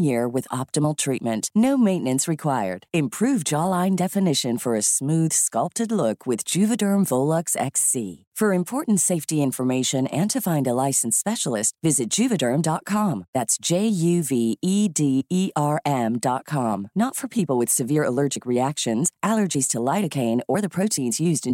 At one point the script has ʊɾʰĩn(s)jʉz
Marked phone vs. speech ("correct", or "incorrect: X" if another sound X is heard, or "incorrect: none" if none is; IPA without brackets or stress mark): incorrect: z